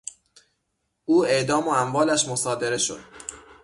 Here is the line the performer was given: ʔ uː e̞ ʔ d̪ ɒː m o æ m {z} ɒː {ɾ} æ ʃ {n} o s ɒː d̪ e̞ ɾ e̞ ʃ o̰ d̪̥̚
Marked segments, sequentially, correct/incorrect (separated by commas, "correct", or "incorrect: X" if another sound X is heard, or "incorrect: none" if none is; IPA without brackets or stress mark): incorrect: v, incorrect: l, incorrect: m